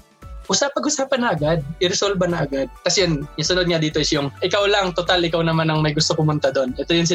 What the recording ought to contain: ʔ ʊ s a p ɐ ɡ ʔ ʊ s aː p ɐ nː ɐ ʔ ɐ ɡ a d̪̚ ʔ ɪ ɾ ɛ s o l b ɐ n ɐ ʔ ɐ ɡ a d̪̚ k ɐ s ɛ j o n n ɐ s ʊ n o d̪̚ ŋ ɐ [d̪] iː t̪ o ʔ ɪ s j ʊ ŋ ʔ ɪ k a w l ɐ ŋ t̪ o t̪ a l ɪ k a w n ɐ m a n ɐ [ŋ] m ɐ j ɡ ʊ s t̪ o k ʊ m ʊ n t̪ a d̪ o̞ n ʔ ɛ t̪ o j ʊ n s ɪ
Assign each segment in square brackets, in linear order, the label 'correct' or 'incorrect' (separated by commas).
correct, correct